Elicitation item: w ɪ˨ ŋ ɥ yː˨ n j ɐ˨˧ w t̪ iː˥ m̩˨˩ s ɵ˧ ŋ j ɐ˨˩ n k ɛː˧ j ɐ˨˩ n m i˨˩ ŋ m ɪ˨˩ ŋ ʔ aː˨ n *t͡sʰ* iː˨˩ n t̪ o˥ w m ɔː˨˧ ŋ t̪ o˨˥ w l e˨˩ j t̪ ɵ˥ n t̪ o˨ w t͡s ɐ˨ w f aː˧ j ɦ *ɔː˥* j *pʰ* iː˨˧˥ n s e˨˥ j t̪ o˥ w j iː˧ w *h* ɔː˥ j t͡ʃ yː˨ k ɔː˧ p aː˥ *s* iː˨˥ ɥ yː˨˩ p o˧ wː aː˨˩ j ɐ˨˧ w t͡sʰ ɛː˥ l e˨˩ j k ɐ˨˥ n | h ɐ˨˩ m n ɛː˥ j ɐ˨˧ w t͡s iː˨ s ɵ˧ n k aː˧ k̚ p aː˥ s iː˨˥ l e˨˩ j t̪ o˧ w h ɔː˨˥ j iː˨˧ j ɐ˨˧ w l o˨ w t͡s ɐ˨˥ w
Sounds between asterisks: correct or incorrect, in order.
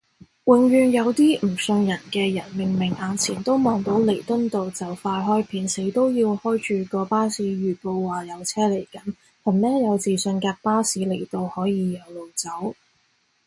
correct, correct, correct, correct, correct

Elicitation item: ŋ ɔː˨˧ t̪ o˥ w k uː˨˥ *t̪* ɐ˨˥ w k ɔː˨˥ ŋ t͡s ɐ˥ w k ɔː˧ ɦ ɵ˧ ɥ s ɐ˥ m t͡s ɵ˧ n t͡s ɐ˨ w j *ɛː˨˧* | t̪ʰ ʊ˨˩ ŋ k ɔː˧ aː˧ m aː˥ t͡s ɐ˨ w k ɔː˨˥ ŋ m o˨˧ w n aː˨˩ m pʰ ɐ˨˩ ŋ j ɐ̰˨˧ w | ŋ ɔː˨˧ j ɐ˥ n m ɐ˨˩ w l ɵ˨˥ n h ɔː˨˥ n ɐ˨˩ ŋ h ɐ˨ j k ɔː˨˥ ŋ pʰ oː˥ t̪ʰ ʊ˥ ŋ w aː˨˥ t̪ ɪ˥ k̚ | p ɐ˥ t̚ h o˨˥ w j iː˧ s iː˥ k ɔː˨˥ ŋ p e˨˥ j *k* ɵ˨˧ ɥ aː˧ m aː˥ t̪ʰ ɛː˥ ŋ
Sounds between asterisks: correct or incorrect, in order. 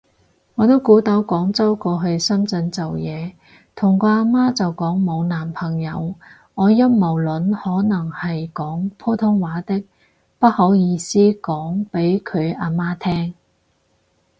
correct, correct, incorrect

